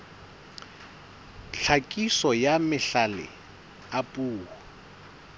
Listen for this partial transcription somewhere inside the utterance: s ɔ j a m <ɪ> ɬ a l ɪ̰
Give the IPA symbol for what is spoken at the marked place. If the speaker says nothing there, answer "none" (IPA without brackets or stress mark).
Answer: ɪ